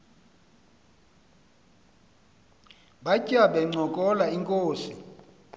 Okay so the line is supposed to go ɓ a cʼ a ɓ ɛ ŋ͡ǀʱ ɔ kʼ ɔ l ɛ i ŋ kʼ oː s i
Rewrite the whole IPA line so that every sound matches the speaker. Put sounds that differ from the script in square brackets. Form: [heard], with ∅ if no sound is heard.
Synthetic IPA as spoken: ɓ a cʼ a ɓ ɛ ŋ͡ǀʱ ɔ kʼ ɔ l [a] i ŋ kʼ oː s i